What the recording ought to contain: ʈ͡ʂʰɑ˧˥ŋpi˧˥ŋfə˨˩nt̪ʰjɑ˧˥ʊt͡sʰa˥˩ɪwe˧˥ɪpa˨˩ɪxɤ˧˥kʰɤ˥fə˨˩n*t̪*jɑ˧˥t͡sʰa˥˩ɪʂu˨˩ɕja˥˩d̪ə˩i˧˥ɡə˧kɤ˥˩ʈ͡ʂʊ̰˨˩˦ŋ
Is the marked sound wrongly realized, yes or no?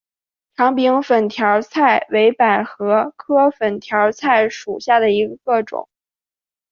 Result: yes